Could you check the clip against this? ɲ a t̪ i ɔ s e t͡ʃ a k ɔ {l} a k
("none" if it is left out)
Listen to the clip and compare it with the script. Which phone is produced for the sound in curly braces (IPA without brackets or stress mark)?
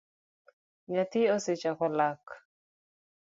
l